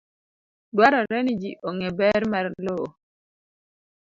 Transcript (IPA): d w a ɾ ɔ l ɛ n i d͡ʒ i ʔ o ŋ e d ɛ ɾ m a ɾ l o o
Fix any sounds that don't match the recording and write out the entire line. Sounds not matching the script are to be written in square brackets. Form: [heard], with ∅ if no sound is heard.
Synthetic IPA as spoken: d w a ɾ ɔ [ɾ] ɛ n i d͡ʒ i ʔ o ŋ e [b] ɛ ɾ m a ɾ l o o